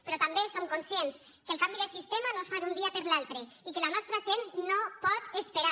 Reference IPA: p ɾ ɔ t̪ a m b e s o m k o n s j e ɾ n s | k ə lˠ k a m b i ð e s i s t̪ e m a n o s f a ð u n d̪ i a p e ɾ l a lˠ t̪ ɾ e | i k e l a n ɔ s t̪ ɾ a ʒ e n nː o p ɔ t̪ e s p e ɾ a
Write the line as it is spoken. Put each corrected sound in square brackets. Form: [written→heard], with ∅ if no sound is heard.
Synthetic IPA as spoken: p ɾ ɔ t̪ a m b e s o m k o n s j e [ɾ→∅] n s | k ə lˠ k a m b i ð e s i s t̪ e m a n o s f a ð u n d̪ i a p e ɾ l a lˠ t̪ ɾ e | i k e l a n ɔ s t̪ ɾ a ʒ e n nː o p ɔ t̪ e s p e ɾ a